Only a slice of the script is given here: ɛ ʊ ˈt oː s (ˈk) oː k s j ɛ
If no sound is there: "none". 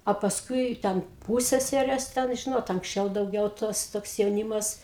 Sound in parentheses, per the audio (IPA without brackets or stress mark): t